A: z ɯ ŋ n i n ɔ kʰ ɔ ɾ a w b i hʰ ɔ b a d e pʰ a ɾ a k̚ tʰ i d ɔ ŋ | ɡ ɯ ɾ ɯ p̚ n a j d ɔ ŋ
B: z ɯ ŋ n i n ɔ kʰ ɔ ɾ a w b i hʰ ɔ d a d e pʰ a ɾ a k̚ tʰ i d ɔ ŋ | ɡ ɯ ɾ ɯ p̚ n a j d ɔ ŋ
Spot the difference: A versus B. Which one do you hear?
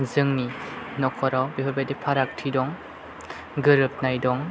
A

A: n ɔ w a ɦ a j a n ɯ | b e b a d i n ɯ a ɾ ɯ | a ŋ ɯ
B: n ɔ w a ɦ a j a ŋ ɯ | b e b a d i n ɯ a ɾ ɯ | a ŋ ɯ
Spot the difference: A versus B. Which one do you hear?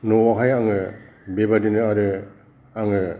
B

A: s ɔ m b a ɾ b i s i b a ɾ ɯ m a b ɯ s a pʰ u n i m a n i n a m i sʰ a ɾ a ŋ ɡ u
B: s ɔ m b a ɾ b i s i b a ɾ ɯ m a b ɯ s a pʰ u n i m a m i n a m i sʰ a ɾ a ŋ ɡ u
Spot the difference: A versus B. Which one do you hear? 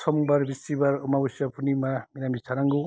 B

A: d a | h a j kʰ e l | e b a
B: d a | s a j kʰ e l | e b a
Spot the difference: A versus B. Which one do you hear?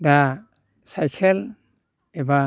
B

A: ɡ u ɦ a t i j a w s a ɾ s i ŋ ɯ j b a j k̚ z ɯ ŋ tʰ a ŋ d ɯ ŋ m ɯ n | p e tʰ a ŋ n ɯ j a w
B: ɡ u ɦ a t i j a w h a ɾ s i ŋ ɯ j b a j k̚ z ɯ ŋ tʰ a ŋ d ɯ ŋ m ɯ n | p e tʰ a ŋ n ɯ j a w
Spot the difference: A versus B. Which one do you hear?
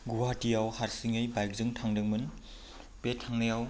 B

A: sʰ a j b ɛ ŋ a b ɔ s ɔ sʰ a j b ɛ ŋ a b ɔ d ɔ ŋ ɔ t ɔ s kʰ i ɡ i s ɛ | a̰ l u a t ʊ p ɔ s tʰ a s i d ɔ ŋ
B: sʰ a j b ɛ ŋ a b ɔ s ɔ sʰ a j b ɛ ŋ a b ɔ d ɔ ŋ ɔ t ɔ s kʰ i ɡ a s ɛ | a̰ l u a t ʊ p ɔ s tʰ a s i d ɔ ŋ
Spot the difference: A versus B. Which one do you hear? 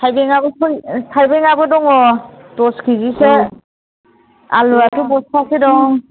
A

